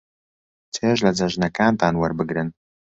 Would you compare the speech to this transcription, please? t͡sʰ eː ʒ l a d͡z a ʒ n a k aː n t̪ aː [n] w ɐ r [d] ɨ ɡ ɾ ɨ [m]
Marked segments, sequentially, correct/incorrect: correct, incorrect, incorrect

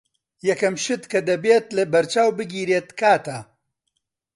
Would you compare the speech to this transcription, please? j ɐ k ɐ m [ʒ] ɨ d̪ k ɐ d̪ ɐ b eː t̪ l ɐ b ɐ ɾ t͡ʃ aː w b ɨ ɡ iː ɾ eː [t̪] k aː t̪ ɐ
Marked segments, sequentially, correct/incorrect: incorrect, correct

